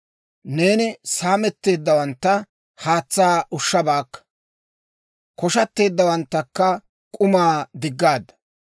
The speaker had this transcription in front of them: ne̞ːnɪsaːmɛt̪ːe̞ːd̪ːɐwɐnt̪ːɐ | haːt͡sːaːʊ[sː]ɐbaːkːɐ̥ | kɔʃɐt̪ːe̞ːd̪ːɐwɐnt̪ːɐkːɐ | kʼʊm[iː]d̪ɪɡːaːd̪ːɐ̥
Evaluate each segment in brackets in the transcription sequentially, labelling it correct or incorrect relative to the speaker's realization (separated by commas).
incorrect, incorrect